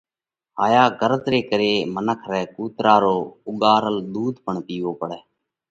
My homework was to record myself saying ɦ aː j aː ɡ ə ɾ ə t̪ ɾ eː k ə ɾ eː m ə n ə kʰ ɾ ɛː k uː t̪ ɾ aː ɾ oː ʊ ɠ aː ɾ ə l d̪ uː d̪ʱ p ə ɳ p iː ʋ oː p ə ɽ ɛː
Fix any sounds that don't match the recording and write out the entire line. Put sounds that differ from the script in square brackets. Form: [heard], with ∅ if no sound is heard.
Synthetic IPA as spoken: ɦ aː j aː ɡ ə ɾ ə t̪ ɾ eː k ə ɾ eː m ə n ə kʰ ɾ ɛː k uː t̪ ɾ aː ɾ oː ʊ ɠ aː ɾ ə l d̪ uː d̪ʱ p ə ɳ p iː ʋ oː p ə ɽ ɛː